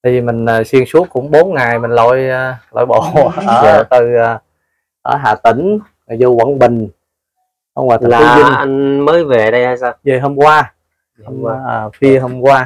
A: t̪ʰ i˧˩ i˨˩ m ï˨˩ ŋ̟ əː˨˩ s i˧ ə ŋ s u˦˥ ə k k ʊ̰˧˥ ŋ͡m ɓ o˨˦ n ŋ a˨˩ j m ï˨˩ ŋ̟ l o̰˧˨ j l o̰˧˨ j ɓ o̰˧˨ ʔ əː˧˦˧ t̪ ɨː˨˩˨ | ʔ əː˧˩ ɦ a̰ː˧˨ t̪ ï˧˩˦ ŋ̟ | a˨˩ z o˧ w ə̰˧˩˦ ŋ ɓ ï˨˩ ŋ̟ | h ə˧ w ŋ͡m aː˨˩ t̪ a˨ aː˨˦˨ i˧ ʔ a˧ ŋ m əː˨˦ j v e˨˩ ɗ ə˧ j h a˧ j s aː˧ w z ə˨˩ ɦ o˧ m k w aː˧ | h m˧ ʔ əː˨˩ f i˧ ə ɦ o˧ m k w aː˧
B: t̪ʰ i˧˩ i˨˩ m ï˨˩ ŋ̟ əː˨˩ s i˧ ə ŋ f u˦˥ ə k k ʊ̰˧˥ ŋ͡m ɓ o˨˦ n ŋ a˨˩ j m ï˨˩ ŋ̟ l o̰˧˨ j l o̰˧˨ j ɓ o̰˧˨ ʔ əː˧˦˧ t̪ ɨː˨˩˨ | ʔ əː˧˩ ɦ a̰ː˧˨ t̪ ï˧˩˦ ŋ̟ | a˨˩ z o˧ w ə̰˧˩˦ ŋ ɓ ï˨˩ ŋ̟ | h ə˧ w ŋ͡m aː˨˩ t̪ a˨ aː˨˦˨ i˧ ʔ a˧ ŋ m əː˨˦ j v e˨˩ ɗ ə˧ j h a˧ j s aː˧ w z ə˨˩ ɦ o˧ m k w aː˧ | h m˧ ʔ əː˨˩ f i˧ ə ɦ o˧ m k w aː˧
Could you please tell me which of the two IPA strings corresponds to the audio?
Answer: A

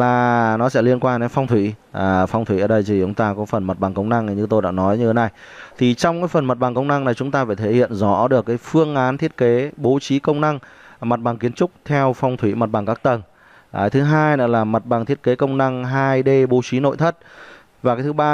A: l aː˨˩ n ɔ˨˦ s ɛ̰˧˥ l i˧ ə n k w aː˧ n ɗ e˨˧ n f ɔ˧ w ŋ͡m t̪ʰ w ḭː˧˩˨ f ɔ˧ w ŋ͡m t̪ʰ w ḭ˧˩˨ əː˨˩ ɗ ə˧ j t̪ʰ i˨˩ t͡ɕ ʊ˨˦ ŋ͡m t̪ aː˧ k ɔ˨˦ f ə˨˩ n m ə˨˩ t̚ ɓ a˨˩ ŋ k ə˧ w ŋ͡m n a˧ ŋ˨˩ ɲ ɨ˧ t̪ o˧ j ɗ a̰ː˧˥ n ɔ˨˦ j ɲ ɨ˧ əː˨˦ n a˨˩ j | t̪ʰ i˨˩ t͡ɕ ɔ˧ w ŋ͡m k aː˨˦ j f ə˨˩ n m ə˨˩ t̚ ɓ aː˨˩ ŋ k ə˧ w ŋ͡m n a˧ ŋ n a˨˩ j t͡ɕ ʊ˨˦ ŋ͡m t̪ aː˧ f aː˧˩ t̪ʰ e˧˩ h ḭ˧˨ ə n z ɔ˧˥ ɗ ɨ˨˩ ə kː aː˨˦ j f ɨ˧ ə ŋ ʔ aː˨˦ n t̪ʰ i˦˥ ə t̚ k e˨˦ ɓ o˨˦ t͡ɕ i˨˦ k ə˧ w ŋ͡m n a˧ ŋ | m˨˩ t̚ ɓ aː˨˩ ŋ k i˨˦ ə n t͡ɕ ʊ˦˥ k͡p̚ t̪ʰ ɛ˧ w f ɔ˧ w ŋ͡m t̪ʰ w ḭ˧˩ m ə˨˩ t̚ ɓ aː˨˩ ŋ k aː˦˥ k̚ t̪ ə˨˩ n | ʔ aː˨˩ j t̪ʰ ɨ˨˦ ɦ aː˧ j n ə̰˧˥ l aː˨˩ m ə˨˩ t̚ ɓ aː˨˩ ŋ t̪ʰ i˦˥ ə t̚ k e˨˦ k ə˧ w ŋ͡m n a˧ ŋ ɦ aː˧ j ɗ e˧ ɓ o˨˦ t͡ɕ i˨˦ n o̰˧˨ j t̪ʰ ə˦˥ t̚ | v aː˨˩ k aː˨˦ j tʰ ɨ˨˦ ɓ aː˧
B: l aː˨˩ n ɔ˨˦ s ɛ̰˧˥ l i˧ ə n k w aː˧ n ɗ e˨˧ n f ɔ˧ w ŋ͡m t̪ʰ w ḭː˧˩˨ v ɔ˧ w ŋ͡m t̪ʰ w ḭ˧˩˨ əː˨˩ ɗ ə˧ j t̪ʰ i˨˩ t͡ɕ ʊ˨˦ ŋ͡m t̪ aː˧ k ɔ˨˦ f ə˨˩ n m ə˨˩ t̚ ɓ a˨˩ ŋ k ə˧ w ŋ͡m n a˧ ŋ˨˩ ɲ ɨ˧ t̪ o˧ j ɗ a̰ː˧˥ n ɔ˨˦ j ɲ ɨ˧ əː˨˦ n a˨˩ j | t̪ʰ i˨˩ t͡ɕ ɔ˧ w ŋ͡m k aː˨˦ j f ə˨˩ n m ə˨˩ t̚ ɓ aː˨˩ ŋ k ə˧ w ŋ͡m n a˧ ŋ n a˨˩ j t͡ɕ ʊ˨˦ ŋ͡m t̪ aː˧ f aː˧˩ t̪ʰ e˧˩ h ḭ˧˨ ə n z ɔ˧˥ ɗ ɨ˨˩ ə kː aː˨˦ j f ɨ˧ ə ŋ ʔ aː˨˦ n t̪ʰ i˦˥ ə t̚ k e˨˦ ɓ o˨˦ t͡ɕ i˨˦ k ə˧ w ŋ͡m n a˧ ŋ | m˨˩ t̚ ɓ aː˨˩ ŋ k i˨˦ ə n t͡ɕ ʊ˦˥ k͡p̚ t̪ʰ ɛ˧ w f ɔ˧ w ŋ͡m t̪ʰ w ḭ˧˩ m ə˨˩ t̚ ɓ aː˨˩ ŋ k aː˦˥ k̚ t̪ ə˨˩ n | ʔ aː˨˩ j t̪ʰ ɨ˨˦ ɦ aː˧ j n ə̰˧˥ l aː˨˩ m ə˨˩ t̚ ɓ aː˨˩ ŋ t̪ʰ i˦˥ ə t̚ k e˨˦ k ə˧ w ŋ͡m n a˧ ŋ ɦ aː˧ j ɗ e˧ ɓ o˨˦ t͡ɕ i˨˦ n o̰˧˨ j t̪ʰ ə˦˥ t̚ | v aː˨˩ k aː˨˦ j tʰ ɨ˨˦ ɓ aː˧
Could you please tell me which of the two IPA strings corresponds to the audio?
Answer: A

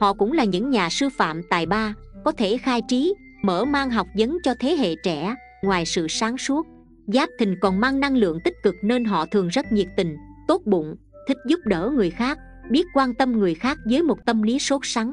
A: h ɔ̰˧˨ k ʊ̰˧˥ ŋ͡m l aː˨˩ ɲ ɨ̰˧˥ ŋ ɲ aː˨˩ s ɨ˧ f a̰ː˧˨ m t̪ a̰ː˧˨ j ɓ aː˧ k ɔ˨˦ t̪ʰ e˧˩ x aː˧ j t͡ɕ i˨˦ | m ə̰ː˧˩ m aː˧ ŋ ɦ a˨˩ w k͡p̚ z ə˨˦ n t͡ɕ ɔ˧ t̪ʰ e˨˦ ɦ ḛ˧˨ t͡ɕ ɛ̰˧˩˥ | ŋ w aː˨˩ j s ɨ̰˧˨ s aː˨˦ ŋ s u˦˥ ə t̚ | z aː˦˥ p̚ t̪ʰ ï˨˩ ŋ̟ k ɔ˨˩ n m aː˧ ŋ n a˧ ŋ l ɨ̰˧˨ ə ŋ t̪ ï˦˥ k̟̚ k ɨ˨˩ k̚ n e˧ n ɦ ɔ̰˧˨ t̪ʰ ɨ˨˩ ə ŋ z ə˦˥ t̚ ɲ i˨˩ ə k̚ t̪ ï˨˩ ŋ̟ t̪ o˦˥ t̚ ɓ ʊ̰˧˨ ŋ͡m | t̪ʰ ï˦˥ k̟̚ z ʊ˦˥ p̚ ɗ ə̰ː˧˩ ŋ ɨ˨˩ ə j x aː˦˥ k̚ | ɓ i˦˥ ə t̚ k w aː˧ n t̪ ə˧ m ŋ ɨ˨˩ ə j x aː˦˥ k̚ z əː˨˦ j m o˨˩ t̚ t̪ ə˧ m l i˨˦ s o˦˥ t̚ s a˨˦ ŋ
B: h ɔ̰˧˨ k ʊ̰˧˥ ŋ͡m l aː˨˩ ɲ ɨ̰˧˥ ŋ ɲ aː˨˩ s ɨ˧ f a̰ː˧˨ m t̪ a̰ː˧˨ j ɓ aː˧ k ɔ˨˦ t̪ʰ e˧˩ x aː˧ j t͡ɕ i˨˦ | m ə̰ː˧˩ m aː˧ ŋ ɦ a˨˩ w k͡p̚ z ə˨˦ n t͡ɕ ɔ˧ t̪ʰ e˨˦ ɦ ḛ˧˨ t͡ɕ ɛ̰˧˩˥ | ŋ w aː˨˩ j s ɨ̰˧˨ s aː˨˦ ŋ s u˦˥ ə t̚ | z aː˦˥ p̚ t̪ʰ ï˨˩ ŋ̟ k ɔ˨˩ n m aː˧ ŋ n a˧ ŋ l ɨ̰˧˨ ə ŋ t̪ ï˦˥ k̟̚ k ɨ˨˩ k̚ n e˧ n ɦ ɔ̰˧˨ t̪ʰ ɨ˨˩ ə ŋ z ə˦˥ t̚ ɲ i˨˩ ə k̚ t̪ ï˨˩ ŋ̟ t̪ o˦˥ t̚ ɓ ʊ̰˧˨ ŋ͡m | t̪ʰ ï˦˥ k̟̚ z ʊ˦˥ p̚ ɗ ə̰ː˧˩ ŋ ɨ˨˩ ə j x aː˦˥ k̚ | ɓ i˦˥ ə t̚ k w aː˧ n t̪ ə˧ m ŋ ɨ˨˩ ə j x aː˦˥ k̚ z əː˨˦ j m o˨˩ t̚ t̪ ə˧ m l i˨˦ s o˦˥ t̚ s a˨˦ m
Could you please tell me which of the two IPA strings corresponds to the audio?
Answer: A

